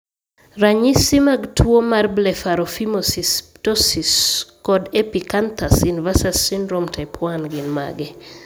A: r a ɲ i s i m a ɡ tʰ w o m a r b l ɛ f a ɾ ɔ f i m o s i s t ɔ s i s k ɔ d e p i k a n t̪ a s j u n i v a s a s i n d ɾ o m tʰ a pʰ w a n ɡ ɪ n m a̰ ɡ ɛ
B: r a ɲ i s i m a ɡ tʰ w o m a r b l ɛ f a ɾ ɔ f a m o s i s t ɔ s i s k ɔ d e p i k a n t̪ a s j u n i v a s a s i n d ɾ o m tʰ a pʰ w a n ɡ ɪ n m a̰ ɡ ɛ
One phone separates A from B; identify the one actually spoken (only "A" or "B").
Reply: A